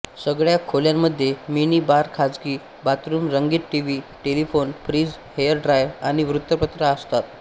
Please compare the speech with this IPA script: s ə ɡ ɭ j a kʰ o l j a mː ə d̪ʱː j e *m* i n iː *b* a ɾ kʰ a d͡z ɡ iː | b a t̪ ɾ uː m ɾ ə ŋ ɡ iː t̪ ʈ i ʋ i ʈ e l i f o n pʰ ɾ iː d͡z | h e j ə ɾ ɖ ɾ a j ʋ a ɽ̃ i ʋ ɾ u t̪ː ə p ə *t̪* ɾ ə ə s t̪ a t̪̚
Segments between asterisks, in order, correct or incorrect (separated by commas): correct, correct, correct